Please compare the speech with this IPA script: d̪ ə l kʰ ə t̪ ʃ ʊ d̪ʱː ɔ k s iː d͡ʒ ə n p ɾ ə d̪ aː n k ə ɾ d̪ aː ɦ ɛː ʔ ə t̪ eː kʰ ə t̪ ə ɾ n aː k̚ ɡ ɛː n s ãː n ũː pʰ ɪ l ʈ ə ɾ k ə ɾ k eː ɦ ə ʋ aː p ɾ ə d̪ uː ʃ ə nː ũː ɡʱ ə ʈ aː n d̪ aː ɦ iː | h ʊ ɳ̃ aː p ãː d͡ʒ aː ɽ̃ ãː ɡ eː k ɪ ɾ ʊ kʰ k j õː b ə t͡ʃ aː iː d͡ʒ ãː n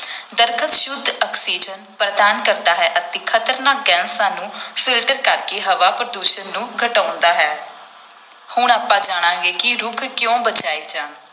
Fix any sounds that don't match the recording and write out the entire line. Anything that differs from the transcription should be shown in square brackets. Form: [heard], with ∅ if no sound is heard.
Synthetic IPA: d̪ ə [ɾ] kʰ ə t̪ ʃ ʊ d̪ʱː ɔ k s iː d͡ʒ ə n p ɾ ə d̪ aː n k ə ɾ d̪ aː ɦ ɛː ʔ ə t̪ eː kʰ ə t̪ ə ɾ n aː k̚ ɡ ɛː n s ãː n ũː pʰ ɪ l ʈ ə ɾ k ə ɾ k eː ɦ ə ʋ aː p ɾ ə d̪ uː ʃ ə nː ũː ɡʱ ə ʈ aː n d̪ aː ɦ [ɛː] | h ʊ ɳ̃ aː p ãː d͡ʒ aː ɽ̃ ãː ɡ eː k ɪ ɾ ʊ kʰ k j õː b ə t͡ʃ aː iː d͡ʒ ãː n